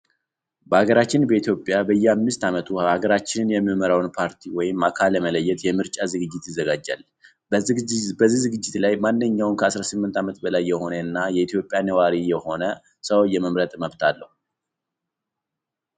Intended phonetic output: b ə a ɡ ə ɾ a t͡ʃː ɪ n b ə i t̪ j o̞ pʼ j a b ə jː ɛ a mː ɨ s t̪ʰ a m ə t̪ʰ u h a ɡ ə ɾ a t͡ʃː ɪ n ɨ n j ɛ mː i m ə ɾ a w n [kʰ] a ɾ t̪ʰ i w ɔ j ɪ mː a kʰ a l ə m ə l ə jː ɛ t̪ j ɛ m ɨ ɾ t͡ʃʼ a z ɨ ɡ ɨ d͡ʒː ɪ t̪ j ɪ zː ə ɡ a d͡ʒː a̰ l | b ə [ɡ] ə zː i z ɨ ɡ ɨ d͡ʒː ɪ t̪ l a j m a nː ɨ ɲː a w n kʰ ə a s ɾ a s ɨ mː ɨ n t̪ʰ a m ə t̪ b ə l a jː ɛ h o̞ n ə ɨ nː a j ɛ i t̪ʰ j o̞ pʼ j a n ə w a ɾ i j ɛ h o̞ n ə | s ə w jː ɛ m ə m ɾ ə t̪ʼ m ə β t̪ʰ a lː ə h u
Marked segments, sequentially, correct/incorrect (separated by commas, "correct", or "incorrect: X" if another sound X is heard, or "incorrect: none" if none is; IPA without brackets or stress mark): incorrect: pʰ, incorrect: b